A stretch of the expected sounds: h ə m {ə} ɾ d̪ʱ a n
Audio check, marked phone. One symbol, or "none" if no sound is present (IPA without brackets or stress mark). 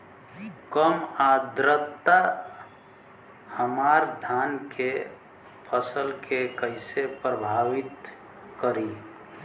a